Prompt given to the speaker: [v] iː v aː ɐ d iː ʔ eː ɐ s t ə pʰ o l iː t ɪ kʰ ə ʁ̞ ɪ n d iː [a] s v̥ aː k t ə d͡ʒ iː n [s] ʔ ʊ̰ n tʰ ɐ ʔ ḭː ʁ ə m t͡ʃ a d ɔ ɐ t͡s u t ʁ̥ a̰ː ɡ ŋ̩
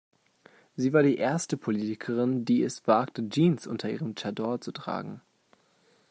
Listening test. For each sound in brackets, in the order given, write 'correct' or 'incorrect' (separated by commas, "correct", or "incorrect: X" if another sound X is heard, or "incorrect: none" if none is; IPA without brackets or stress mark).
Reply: incorrect: z, incorrect: ɛ, correct